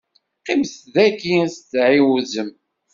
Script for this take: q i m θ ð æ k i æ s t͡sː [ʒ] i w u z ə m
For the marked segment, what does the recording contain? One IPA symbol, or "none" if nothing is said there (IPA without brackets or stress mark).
ʕ